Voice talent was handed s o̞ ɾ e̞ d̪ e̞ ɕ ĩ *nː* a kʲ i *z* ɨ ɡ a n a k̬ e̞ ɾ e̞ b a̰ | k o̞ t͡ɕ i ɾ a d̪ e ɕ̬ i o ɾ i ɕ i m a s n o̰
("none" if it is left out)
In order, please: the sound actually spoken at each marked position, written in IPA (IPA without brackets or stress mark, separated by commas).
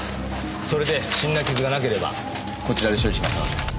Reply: nː, z